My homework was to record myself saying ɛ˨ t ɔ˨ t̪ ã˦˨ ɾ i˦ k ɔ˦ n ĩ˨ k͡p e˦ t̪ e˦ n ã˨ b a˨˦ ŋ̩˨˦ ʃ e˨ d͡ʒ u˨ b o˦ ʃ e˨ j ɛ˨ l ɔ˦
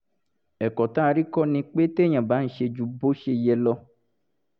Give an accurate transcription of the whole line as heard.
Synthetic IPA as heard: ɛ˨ k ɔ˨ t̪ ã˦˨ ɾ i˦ k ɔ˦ n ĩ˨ k͡p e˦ t̪ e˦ ɲ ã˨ b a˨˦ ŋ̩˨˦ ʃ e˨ d͡ʒ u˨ b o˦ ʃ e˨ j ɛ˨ l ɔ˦